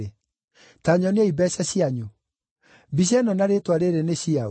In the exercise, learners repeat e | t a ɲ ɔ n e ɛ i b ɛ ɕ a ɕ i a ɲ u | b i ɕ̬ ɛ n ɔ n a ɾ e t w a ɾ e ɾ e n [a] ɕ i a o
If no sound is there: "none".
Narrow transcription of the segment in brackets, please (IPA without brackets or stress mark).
e